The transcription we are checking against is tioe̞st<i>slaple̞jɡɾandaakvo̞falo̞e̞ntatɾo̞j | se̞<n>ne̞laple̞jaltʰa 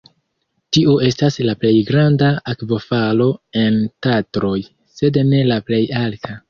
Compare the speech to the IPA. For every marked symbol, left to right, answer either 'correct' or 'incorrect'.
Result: incorrect: a, incorrect: d

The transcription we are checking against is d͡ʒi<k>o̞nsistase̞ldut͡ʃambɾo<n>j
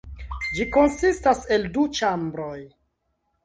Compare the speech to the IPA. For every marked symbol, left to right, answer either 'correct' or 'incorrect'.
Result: correct, incorrect: none

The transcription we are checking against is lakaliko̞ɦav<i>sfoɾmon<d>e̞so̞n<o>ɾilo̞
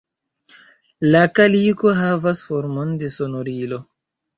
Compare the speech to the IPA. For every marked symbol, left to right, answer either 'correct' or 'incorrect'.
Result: incorrect: a, correct, correct

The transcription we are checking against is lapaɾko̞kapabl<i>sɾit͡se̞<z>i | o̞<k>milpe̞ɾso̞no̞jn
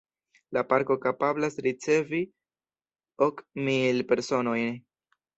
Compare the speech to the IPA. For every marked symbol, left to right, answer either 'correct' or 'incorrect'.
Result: incorrect: a, incorrect: v, correct

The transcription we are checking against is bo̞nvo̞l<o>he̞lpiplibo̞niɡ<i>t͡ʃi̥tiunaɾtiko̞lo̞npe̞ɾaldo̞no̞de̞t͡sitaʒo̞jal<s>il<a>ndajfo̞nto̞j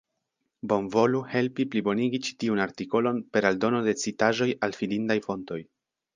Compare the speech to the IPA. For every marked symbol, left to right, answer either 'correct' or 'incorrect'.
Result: incorrect: u, correct, incorrect: f, incorrect: i

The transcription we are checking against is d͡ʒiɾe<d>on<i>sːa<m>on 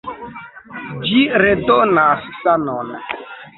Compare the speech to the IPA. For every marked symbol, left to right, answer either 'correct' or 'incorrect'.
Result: correct, incorrect: a, incorrect: n

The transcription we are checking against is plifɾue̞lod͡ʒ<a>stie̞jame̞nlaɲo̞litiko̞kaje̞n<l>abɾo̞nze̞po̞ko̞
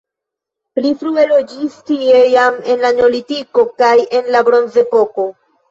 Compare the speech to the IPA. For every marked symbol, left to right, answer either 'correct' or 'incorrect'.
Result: incorrect: i, correct

